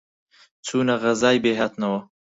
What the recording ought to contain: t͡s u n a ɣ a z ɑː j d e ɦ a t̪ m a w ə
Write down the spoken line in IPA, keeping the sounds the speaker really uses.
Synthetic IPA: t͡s u n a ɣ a z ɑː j b e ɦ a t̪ n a w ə